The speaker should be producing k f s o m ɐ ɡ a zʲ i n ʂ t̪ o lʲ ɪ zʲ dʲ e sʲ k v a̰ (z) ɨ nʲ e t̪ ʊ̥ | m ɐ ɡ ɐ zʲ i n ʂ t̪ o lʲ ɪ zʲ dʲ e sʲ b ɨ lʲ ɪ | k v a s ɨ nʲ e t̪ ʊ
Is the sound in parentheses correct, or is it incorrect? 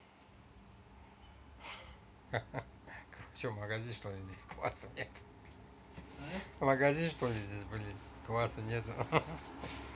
incorrect: s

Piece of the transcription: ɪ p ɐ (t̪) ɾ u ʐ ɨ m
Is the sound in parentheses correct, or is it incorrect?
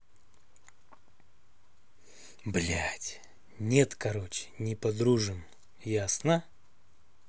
incorrect: d̪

